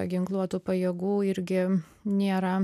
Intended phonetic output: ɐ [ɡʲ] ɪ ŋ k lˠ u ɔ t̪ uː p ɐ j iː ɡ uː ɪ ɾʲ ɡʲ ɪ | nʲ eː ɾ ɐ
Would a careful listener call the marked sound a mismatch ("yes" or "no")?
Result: no